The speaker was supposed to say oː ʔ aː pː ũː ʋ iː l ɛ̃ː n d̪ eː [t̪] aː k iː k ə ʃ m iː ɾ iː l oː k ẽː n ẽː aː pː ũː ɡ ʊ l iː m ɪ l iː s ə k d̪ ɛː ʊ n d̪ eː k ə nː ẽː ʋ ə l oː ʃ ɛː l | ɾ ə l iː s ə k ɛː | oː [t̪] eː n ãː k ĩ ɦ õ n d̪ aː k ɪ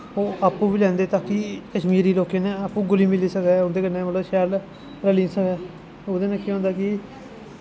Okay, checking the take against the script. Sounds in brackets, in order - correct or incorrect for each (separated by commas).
correct, incorrect